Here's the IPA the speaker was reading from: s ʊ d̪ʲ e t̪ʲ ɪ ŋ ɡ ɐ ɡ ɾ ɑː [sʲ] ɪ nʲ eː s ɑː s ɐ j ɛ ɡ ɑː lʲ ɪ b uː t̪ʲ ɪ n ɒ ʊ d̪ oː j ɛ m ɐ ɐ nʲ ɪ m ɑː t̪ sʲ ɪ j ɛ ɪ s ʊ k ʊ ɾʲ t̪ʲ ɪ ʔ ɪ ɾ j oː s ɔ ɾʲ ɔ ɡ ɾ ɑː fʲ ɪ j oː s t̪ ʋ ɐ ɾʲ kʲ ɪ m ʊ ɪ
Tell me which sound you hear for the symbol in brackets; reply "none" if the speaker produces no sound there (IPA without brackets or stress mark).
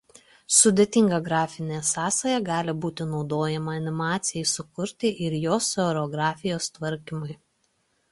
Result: fʲ